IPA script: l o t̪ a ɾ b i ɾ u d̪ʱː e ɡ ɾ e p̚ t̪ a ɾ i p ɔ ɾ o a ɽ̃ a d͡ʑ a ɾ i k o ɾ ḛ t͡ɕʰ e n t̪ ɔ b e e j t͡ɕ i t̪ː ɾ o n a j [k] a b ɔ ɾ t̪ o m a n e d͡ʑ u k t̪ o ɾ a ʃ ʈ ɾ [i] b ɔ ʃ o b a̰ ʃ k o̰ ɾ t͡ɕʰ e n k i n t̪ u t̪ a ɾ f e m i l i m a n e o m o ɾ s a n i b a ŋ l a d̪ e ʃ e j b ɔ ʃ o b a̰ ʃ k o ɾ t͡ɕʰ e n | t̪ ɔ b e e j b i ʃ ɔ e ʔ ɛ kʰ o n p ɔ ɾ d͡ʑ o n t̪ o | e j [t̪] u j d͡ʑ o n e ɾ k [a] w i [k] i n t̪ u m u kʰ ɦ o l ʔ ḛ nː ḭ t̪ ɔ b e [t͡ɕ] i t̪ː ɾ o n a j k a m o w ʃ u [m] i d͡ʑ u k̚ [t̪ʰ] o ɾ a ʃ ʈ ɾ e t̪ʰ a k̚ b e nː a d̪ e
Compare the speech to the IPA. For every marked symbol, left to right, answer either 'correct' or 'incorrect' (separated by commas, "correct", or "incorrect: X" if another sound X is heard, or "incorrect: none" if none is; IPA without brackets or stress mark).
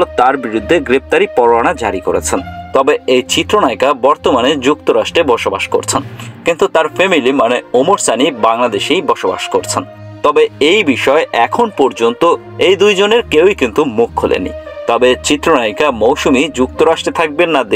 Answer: correct, incorrect: e, incorrect: d̪, incorrect: e, correct, correct, correct, incorrect: t̪